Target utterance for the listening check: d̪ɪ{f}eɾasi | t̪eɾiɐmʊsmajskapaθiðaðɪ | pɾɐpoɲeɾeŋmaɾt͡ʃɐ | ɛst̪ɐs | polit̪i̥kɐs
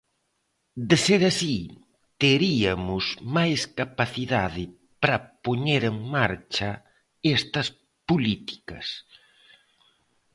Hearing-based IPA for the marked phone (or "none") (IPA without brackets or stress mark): s